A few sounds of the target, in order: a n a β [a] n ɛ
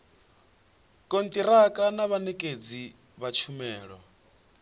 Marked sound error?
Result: no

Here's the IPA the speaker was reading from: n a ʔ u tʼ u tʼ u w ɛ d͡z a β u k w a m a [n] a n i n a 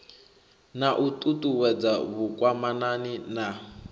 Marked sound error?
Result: no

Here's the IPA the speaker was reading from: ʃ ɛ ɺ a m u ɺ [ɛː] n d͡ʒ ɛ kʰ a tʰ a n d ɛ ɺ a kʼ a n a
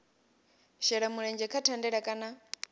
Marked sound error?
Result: yes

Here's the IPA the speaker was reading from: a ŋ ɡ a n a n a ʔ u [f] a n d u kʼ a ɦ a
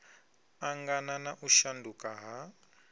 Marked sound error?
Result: yes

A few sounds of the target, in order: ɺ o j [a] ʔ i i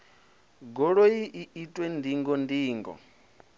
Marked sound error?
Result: yes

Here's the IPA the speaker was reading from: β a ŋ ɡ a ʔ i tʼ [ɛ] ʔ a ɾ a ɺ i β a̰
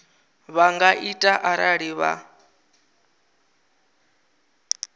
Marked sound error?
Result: yes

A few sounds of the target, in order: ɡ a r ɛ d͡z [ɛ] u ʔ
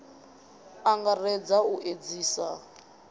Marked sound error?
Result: yes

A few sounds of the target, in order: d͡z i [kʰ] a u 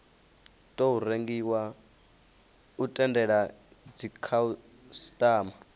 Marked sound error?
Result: no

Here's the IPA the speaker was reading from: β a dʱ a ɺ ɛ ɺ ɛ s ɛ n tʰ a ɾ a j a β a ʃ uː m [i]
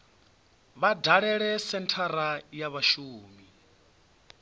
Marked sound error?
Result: no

